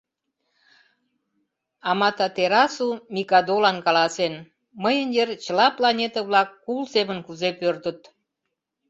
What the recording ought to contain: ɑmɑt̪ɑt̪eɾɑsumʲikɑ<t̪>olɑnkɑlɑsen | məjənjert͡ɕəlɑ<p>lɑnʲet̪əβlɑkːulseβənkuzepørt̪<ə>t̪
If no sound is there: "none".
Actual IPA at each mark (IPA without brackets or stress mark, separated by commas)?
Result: d̪, p, ə